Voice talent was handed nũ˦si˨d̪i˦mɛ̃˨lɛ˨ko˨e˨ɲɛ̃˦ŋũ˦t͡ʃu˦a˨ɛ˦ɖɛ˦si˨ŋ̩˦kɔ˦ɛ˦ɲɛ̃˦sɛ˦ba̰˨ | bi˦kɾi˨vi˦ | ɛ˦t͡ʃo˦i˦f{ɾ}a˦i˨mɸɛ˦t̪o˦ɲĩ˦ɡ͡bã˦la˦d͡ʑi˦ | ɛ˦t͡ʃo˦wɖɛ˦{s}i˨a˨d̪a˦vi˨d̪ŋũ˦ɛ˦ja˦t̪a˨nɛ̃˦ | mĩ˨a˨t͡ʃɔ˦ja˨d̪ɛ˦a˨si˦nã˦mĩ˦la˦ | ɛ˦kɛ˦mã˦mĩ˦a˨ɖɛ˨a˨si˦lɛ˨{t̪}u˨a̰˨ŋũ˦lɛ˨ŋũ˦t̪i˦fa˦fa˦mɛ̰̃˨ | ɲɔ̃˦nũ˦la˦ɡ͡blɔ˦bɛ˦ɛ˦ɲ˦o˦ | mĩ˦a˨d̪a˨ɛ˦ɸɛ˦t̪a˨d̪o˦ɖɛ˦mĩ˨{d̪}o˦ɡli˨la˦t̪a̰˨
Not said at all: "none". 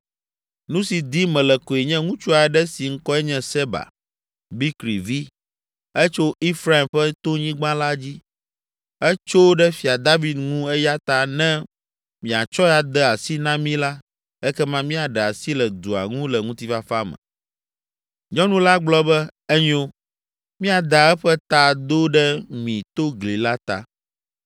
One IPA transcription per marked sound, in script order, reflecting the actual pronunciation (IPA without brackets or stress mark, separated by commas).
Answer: ɾ, f, d̪, t̪